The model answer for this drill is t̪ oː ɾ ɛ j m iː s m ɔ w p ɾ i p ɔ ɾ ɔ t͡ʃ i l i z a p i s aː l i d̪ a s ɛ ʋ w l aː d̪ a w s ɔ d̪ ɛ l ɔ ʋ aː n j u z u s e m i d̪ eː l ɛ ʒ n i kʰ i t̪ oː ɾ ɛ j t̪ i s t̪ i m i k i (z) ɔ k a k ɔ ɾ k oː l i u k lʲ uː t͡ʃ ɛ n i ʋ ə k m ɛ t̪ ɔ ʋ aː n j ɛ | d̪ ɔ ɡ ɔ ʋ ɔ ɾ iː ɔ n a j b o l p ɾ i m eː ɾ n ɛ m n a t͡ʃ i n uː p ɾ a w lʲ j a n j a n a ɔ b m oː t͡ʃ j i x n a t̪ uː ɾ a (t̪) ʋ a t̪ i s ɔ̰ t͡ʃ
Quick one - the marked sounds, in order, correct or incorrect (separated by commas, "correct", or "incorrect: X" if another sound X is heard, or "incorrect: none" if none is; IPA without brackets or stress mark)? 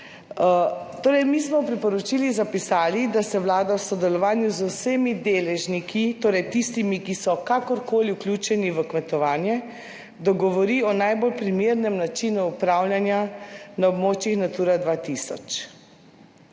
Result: incorrect: s, incorrect: d̪